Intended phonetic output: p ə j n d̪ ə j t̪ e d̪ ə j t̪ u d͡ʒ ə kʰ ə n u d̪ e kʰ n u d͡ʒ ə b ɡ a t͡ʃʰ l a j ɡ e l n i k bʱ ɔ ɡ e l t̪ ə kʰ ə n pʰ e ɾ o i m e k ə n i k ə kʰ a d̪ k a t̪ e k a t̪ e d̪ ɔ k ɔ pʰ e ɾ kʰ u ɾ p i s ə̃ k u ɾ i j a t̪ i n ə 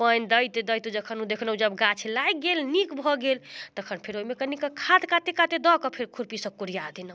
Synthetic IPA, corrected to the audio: p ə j n d̪ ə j t̪ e d̪ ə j t̪ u d͡ʒ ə kʰ ə n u d̪ e kʰ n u d͡ʒ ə b ɡ a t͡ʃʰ l a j ɡ e l n i k bʱ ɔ ɡ e l t̪ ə kʰ ə n pʰ e ɾ o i m e k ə n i k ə kʰ a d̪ k a t̪ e k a t̪ e d̪ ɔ k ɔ pʰ e ɾ kʰ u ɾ p i s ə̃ k u ɾ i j a d̪ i n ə